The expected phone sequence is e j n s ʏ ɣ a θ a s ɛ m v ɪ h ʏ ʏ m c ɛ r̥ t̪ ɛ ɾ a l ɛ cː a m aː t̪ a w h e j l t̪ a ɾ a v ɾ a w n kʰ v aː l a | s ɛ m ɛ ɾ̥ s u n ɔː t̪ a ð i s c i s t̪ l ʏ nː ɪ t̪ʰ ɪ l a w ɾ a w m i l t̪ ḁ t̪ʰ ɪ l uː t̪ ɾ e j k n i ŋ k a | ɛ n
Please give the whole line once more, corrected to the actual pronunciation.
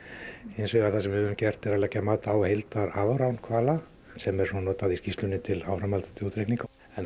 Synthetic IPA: e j n s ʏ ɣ a θ a s ɛ m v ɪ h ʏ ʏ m c ɛ r̥ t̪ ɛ ɾ a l ɛ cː a m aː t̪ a w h e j l t̪ a ɾ a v ɾ a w n kʰ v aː l a | s ɛ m ɛ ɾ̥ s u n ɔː t̪ a ð i s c i s t̪ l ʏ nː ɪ t̪ʰ ɪ l a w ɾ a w m a l t̪ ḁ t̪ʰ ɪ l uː t̪ ɾ e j k n i ŋ k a | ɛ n